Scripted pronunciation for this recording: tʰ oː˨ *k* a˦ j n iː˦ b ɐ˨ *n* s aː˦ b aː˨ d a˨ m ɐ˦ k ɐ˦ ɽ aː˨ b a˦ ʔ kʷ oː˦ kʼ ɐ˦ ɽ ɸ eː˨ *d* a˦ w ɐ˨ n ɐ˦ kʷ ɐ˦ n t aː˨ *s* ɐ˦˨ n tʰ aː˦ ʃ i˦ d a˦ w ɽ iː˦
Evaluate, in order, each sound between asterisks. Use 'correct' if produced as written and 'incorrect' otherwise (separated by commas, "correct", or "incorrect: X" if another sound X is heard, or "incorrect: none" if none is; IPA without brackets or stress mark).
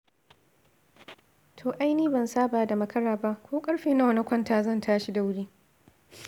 incorrect: ʔ, correct, incorrect: n, incorrect: z